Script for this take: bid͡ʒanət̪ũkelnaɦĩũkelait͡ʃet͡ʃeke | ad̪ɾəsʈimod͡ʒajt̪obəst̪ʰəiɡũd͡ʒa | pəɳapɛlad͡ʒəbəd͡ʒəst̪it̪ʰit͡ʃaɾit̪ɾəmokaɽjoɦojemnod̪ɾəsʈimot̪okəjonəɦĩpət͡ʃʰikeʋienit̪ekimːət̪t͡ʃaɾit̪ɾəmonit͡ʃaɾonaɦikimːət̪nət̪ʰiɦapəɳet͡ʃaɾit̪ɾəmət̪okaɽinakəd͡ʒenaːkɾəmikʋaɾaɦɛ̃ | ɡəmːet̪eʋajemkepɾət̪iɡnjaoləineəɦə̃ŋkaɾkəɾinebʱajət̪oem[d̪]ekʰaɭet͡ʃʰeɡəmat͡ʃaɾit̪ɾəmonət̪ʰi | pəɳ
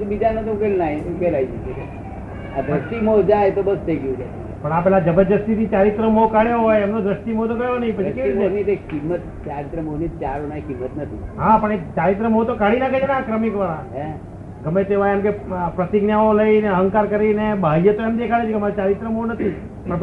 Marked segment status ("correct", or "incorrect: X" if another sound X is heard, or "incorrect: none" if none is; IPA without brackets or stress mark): correct